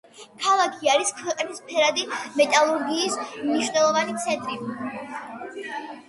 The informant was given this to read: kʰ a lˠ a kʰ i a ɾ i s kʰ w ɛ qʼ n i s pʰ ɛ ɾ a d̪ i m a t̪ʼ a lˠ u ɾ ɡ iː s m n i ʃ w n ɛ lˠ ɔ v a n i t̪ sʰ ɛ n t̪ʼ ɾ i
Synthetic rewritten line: kʰ a lˠ a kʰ i a ɾ i s kʰ w ɛ qʼ n i s pʰ ɛ ɾ a d̪ i m ɛ t̪ʼ a lˠ u ɾ ɡ iː s m n i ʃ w n ɛ lˠ ɔ v a n i t̪ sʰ ɛ n t̪ʼ ɾ i

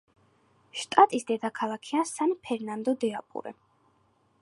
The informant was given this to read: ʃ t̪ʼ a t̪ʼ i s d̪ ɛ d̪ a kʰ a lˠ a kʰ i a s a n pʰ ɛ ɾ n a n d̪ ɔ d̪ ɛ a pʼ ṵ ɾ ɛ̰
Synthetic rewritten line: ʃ t̪ʼ a t̪ʼ i s d̪ ɛ d̪ a kʰ a lˠ a kʰ i a s a n pʰ ɛ ɾ n a n d̪ ɔ d̪ ɛ a pʼ ṵ ɾ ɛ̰

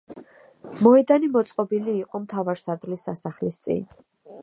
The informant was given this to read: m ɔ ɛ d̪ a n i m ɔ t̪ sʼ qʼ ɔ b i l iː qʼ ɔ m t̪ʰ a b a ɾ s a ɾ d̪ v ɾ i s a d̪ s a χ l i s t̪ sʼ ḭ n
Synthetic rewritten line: m ɔ ɛ d̪ a n i m ɔ t̪ sʼ qʼ ɔ b i l iː qʼ ɔ m t̪ʰ a v a ɾ s a ɾ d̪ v l i s a s a χ l i s t̪ sʼ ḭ n

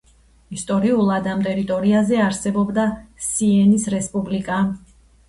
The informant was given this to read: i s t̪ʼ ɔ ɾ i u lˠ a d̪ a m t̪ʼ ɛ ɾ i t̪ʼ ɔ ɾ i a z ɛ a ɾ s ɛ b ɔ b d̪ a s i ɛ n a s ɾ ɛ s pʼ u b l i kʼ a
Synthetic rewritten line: i s t̪ʼ ɔ ɾ i u lˠ a d̪ a m t̪ʼ ɛ ɾ i t̪ʼ ɔ ɾ i a z ɛ a ɾ s ɛ b ɔ b d̪ a s i ɛ n i s ɾ ɛ s pʼ u b l i kʼ a

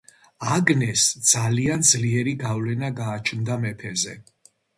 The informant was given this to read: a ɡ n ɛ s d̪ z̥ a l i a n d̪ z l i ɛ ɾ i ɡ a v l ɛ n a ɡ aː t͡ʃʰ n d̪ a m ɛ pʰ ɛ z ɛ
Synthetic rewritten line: a ɡ n ɛ s d̪ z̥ a l i a n d̪ z l i ɛ ɾ i ɡ a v l ɛ n a ɡ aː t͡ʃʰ n d̪ a m ɛ pʰ ɛ z ɛ

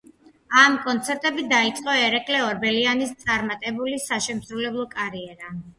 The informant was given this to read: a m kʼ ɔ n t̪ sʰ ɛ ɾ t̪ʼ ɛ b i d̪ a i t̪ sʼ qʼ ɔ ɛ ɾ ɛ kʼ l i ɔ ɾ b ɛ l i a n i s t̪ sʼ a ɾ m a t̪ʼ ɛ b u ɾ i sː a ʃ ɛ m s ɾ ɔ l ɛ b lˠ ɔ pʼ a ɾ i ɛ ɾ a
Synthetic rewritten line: a m kʼ ɔ n t̪ sʰ ɛ ɾ t̪ʼ ɛ b i d̪ a i t̪ sʼ qʼ ɔ ɛ ɾ ɛ kʼ l ɛ ɔ ɾ b ɛ l i a n i s t̪ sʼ a ɾ m a t̪ʼ ɛ b u l i s a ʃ ɛ m s ɾ u l ɛ b lˠ ɔ kʼ a ɾ i ɛ ɾ a

